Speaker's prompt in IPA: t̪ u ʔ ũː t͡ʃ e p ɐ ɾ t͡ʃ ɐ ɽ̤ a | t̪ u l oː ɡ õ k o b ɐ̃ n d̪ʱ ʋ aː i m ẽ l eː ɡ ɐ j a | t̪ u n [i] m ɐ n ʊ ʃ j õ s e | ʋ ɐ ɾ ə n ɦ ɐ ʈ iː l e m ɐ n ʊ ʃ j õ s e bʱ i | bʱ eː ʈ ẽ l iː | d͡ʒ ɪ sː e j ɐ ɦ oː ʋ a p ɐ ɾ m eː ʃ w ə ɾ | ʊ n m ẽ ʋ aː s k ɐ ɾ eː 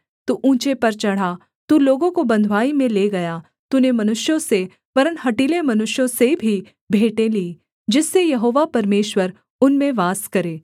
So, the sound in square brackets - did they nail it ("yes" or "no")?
no